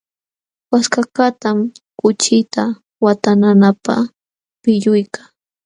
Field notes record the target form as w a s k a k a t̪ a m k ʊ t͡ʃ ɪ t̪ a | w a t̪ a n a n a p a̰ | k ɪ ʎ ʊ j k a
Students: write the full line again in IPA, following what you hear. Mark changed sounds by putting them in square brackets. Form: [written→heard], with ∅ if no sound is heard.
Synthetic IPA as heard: w a s k a k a t̪ a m k ʊ t͡ʃ ɪ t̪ a | w a t̪ a n a n a p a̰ | [k→p] ɪ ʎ ʊ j k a